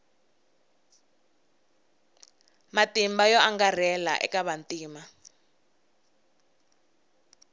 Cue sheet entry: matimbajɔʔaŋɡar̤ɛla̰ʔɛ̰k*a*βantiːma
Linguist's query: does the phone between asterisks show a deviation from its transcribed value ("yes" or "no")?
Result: no